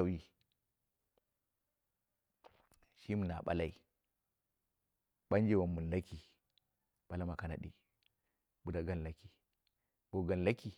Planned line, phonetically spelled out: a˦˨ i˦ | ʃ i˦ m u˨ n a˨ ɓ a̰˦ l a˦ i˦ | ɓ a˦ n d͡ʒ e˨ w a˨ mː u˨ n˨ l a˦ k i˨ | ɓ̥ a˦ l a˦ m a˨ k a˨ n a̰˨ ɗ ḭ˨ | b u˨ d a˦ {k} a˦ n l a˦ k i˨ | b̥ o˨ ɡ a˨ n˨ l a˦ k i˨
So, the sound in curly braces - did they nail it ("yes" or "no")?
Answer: no